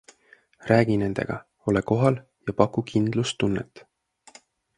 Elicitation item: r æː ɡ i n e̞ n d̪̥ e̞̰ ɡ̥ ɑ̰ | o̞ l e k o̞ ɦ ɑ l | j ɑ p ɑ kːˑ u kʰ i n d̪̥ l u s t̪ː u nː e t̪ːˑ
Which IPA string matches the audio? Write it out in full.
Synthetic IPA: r æː ɡ i n e̞ n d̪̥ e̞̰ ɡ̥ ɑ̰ | o̞ l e k o̞ ɦ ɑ l | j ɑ p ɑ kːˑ u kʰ i n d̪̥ l u s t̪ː u nː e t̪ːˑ